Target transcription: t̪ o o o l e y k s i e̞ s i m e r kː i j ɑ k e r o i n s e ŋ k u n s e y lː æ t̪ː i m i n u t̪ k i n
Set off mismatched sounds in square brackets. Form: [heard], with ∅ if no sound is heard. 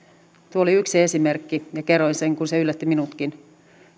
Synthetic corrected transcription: t̪ [u] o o l [i] y k s i e̞ s i m e r kː i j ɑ k e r o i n s e ŋ k u n s e y lː æ t̪ː i m i n u t̪ k i n